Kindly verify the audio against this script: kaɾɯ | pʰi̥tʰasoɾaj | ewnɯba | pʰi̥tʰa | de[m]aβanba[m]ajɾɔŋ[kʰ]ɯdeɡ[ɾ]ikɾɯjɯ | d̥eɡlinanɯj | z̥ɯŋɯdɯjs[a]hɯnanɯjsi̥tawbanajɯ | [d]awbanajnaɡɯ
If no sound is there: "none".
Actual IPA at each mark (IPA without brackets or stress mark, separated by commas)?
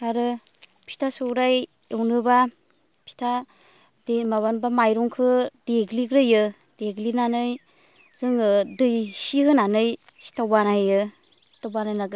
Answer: m, m, kʰ, l, i, t